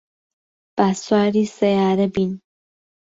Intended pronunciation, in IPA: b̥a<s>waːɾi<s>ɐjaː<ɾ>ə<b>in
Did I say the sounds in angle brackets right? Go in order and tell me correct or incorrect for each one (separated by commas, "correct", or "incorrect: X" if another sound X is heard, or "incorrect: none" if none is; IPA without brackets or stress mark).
correct, correct, correct, correct